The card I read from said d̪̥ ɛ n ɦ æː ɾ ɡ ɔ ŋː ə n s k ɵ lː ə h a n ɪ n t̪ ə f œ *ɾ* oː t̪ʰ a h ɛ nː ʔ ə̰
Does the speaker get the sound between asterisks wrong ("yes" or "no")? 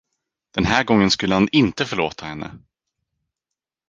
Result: yes